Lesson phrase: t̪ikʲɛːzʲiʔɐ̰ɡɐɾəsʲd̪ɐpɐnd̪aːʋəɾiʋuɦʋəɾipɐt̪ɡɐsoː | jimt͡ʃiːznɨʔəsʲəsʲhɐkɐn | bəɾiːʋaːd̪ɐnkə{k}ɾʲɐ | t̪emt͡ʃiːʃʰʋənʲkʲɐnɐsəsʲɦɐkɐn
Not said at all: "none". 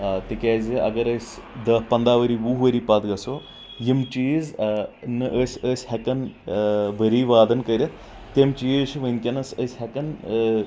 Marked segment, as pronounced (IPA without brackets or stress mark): none